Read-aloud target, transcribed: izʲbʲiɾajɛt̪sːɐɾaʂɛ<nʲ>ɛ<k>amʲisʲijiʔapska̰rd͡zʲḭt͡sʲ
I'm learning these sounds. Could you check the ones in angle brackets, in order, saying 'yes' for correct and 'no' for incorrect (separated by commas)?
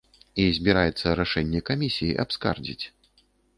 no, yes